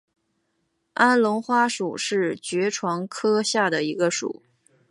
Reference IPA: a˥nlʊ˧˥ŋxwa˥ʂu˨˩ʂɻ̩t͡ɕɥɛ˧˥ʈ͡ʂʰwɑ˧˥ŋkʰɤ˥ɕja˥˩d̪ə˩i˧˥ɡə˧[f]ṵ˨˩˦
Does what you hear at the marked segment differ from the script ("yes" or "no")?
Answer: yes